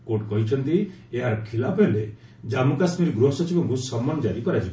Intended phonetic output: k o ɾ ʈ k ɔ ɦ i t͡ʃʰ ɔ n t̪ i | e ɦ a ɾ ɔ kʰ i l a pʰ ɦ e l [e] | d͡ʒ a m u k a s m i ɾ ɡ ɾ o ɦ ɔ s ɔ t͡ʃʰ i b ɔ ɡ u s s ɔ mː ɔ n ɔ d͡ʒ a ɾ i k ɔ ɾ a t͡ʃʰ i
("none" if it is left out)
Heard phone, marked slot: e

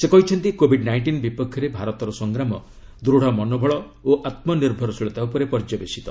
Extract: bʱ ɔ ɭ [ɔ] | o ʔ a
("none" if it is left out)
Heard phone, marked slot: ɔ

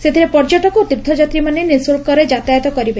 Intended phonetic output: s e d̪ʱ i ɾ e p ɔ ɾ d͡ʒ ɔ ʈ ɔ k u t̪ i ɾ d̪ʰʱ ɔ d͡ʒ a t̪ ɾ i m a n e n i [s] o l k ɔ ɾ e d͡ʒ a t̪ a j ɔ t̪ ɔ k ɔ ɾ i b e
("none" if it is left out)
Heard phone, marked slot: s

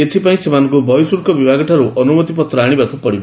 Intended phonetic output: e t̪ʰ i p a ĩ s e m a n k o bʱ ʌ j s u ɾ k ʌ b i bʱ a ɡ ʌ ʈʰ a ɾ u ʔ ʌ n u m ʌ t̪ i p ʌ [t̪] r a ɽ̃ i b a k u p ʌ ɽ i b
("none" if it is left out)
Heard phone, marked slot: t̪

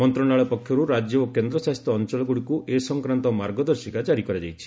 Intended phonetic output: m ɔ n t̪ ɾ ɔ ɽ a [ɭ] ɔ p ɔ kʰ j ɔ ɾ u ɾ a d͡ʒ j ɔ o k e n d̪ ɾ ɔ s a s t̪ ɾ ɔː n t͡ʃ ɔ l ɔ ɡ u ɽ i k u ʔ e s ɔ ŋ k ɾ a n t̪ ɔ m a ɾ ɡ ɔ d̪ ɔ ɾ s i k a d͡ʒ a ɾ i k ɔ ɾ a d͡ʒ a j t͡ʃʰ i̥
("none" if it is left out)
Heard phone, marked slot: ɭ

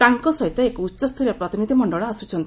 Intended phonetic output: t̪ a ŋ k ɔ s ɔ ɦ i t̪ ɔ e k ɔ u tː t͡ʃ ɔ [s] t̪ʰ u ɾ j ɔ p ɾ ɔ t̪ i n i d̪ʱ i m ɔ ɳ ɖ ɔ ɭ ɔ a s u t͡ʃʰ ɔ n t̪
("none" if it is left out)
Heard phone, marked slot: s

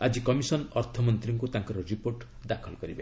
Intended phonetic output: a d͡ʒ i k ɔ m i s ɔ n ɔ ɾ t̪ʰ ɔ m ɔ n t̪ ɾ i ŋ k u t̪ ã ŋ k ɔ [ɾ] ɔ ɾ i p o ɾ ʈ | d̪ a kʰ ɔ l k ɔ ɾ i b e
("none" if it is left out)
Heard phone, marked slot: ɾ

